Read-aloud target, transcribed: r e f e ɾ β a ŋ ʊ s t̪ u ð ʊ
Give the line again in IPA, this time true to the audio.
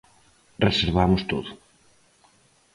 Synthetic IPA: r e s e ɾ β a m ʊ s t̪ o ð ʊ